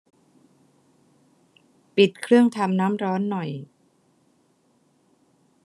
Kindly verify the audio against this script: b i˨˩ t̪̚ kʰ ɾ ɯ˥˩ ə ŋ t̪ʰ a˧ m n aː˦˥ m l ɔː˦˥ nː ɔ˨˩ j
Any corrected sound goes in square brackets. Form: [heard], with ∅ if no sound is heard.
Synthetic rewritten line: [p] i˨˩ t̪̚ kʰ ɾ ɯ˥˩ ə ŋ t̪ʰ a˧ m n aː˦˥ m [ɾ] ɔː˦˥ nː ɔ˨˩ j